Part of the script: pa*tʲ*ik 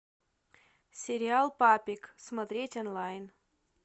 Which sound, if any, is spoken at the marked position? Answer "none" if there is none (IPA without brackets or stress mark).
pʲ